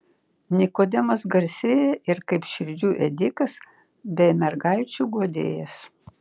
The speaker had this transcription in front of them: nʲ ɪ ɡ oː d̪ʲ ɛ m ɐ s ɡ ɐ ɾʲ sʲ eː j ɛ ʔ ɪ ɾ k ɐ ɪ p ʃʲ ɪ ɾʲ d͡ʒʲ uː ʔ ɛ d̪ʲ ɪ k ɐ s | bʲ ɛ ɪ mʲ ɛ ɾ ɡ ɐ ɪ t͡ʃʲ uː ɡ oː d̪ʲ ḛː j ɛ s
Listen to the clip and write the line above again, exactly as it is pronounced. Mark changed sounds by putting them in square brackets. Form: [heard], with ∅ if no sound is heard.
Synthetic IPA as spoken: nʲ ɪ [k] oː d̪ʲ ɛ m ɐ s ɡ ɐ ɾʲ sʲ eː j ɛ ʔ ɪ ɾ k ɐ ɪ p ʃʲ ɪ ɾʲ d͡ʒʲ uː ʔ ɛ d̪ʲ ɪ k ɐ s | bʲ ɛ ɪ mʲ ɛ ɾ ɡ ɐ ɪ t͡ʃʲ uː ɡ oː d̪ʲ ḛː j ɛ s